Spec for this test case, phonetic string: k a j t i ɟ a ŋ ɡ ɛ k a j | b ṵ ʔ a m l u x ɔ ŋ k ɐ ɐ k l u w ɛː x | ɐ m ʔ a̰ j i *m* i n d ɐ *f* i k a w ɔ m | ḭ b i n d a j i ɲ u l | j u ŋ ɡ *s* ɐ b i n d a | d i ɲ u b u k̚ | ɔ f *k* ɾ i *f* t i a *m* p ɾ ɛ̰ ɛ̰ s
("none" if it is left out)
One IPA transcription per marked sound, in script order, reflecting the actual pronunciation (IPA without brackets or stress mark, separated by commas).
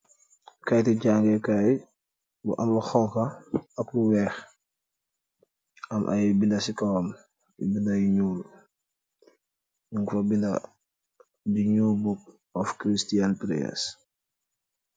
b, s, f, k, s, n